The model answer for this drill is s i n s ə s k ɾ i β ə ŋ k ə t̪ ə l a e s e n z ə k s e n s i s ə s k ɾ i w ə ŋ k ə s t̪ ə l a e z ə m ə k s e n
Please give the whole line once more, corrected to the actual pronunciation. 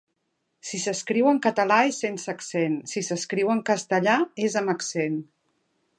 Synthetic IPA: s i s ə s k ɾ i w ə ŋ k ə t̪ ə l a e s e n s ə k s e n s i s ə s k ɾ i w ə ŋ k ə s t̪ ə ʎ a e z ə m ə k s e n